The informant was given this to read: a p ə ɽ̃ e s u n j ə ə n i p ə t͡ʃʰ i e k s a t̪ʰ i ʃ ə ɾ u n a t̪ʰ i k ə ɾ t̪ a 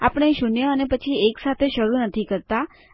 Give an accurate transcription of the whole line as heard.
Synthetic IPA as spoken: a p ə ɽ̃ e ʃ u n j ə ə n e p ə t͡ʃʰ i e k s a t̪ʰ e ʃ ə ɾ u n ə t̪ʰ i k ə ɾ t̪ a

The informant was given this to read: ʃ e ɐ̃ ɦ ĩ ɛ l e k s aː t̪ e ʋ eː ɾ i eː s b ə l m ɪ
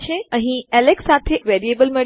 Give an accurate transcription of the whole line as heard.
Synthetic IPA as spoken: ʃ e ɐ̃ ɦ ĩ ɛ l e k s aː t̪ʰ e ʋ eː ɾ i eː b ə l m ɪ

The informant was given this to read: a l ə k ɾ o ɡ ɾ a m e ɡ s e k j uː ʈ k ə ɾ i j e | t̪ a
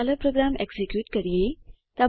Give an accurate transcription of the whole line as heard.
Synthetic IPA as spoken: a l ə p ɾ o ɡ ɾ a m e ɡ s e k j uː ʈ k ə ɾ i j e | t̪ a

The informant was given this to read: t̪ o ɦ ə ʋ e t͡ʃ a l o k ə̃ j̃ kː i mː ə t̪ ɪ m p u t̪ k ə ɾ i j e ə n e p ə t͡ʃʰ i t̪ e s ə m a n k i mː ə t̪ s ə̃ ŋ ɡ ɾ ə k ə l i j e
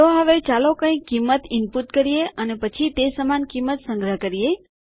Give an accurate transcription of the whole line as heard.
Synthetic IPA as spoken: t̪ o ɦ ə ʋ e t͡ʃ a l o k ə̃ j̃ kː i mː ə t̪ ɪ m p u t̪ k ə ɾ i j e ə n e p ə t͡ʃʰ i t̪ e s ə m a n k i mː ə t̪ s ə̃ ŋ ɡ ɾ ə k ə ɾ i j e

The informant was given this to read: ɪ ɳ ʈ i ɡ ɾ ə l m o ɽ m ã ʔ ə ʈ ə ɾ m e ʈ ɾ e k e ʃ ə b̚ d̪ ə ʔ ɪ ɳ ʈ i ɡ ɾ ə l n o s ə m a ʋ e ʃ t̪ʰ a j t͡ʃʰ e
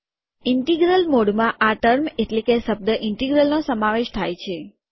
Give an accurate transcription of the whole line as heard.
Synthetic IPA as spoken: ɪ ɳ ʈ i ɡ ɾ ə l m o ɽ m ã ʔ a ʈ ə ɾ m e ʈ l e k e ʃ ə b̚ d̪ ə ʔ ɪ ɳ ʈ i ɡ ɾ ə l n o s ə m a ʋ e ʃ t̪ʰ a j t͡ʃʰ e

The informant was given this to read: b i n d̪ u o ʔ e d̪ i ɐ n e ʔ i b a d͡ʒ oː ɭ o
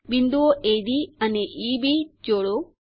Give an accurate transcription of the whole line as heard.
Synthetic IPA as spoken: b i n d̪ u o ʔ e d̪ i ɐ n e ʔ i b i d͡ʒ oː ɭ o

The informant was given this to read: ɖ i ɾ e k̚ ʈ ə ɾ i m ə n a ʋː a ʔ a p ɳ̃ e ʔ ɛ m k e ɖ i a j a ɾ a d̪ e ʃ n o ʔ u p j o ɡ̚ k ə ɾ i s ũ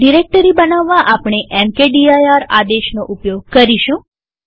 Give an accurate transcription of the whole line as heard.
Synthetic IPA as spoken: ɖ i ɾ e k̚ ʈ ə ɾ i b ə n a ʋː a ʔ a p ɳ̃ e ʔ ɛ m k e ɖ i a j a ɾ a d̪ e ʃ n o ʔ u p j o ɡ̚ k ə ɾ i ʃ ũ

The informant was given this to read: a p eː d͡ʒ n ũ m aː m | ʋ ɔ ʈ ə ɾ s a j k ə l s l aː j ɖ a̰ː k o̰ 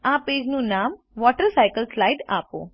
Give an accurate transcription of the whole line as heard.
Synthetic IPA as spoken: a p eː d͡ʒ n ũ n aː m | ʋ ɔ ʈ ə ɾ s a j k ə l s l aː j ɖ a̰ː p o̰

